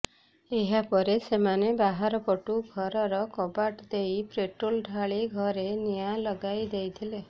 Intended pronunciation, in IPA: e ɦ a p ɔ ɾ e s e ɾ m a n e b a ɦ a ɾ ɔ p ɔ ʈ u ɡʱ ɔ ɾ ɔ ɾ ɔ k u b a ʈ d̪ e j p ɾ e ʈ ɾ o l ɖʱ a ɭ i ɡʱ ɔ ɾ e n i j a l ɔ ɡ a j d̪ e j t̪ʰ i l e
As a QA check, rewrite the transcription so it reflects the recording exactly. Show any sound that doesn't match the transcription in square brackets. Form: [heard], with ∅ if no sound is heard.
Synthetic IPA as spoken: e ɦ a p ɔ ɾ e s e [∅] m a n e b a ɦ a ɾ ɔ p ɔ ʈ u ɡʱ ɔ ɾ ɔ ɾ ɔ k [ɔ] b a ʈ d̪ e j p ɾ e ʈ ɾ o l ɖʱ a ɭ i ɡʱ ɔ ɾ e n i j a l ɔ ɡ a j d̪ e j t̪ʰ i l e